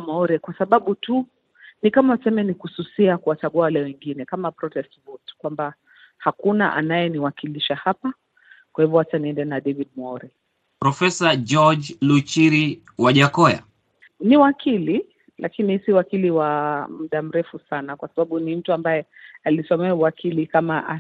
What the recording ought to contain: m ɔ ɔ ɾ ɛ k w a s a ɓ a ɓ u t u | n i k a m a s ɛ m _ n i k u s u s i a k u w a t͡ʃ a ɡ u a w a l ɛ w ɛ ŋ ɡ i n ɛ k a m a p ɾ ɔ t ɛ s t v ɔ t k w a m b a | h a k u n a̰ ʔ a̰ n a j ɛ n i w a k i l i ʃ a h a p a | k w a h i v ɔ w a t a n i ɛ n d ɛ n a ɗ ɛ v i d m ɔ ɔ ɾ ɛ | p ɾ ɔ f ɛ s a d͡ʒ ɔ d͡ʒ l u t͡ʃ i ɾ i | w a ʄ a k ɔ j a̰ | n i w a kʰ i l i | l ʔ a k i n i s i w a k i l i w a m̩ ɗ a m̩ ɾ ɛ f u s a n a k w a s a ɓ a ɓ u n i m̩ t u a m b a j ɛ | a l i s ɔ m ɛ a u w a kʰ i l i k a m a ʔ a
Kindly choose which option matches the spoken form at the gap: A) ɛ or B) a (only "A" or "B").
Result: A